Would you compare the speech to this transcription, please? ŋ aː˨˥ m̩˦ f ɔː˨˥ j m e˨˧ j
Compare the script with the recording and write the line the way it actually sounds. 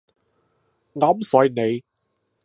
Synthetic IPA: ŋ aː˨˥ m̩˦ s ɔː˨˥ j n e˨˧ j